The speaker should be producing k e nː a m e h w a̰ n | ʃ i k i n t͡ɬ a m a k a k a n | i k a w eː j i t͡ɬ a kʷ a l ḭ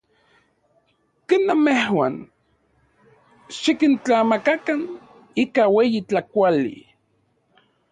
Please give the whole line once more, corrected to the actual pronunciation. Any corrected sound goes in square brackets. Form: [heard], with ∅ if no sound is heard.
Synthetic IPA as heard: k e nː a m e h w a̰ n | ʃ i k i n t͡ɬ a m a k a k a n | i k a w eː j i t͡ɬ a kʷ a l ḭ